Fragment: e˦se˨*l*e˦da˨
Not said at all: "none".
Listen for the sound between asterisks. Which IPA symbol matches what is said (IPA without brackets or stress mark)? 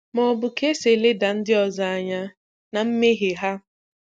l